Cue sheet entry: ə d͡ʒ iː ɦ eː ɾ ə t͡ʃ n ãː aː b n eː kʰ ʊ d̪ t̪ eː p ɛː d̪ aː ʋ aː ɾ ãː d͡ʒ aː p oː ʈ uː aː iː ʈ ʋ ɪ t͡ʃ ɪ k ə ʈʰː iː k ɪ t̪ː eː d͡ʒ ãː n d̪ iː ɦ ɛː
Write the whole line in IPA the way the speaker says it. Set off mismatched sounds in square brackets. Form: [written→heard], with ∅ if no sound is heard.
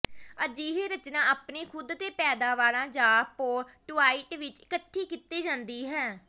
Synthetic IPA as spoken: ə d͡ʒ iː ɦ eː ɾ ə t͡ʃ n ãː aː [b→p] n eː kʰ ʊ d̪ t̪ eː p ɛː d̪ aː ʋ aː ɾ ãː d͡ʒ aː p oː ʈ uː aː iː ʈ ʋ ɪ t͡ʃ ɪ k ə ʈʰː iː k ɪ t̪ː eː d͡ʒ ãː n d̪ iː ɦ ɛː